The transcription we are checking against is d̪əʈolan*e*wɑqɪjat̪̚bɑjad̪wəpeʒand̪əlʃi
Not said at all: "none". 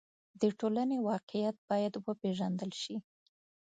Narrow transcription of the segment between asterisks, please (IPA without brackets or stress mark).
e